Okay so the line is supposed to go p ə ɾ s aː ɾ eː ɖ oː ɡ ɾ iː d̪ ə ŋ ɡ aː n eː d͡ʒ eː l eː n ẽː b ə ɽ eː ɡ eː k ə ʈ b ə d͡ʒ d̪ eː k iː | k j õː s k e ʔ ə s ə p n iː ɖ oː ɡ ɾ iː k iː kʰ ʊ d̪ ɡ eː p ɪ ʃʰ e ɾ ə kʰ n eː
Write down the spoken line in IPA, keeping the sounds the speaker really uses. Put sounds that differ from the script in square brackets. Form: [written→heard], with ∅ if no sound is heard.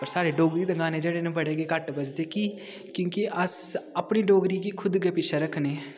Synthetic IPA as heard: p ə ɾ s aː ɾ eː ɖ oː ɡ ɾ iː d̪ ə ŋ ɡ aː n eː d͡ʒ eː [l→ɽ] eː n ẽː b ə ɽ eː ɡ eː k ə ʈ b ə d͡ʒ d̪ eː k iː | k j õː [s→∅] k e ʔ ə s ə p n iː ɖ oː ɡ ɾ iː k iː kʰ ʊ d̪ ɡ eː p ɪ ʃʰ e ɾ ə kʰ n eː